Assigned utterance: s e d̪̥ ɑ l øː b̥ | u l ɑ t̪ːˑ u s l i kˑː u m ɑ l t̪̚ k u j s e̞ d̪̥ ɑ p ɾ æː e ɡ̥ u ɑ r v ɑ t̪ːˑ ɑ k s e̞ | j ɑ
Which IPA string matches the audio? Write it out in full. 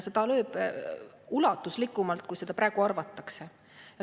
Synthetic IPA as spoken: s e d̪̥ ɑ l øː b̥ | u l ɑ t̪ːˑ u s l i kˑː u m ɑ l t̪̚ k u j s e̞ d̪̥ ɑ p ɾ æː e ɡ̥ u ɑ r v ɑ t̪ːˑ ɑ k s e̞ | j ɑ